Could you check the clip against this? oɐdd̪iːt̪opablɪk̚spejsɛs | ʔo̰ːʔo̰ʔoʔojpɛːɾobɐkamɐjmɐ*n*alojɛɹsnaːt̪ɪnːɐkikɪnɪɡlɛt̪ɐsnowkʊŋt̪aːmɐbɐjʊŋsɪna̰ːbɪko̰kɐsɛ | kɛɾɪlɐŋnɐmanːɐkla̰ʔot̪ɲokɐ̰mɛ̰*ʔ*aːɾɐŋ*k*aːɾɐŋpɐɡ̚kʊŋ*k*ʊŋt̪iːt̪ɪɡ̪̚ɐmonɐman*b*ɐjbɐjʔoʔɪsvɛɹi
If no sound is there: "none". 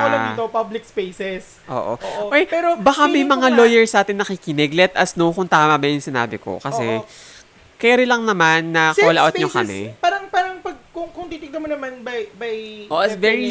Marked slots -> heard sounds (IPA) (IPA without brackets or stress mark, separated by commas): ŋ, p, p, k, b